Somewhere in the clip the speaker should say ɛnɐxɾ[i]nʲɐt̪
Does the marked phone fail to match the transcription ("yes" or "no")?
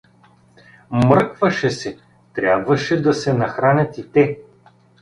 yes